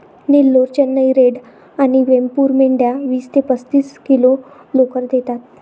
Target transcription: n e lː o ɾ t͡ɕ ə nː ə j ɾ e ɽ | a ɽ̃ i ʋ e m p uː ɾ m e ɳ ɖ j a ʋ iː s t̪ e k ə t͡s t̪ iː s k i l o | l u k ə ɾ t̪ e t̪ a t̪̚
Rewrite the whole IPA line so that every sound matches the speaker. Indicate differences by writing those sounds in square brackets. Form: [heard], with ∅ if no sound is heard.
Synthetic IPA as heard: n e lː o ɾ t͡ɕ ə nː ə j ɾ e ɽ | a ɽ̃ i ʋ e m p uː ɾ m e ɳ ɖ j a ʋ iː s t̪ e [p] ə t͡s t̪ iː s k i l o | l [o] k ə ɾ [d̪] e t̪ a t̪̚